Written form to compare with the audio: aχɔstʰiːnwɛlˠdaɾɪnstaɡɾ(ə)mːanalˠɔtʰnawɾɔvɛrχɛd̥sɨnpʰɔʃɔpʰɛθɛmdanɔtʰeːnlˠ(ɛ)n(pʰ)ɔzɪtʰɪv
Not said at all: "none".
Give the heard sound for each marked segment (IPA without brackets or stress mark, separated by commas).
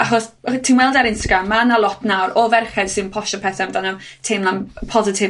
a, a, pʰ